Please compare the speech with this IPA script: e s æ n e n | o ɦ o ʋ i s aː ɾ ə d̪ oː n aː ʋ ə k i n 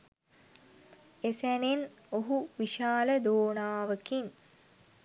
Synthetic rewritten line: e s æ n e n | o ɦ u ʋ i ʃ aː l ə d̪ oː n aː ʋ ə k i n

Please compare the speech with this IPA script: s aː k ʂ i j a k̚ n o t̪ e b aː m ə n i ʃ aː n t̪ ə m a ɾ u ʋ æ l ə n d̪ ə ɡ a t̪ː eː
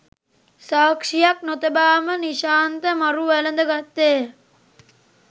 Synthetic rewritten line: s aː k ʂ i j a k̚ n o t̪ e b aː m ə n i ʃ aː n t̪ ə m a ɾ u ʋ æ l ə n d̪ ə ɡ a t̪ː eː

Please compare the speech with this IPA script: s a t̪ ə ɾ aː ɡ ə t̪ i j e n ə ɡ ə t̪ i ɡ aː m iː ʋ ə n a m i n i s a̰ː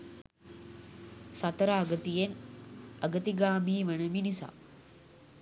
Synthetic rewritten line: s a t̪ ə ɾ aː ɡ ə t̪ i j e n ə ɡ ə t̪ i ɡ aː m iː ʋ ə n ə m i n i s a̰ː

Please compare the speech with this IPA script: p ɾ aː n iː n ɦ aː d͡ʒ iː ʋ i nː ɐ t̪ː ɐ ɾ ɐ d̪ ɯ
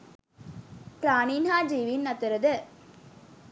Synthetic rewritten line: p ɾ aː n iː n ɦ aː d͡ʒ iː ʋ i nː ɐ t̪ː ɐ ɾ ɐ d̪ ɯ

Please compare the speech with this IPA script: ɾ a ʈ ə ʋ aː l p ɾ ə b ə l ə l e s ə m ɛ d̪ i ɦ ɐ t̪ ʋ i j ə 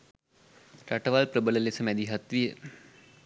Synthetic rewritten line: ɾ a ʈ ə ʋ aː l p ɾ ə b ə l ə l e s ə m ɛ d̪ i ɦ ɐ t̪ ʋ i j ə

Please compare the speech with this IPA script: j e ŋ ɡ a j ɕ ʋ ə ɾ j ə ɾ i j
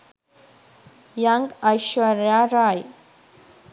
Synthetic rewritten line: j a ŋ ɡ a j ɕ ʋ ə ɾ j a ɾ a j

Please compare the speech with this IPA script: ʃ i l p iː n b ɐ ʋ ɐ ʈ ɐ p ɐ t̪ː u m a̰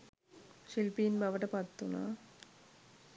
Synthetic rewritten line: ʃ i l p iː n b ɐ ʋ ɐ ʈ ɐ p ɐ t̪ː u n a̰

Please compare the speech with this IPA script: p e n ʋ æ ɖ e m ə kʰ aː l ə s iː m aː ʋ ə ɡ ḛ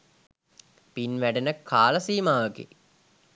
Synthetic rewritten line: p i n ʋ æ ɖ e n ə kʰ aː l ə s iː m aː ʋ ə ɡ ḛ

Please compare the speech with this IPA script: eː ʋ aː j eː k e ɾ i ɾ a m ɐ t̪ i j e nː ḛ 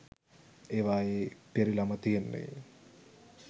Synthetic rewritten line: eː ʋ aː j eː p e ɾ i l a m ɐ t̪ i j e nː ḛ

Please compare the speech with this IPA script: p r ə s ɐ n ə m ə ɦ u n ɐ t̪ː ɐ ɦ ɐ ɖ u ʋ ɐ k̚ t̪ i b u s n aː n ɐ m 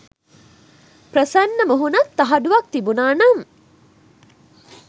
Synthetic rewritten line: p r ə s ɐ nː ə m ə ɦ u n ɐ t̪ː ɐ ɦ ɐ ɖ u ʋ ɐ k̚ t̪ i b u n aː n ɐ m

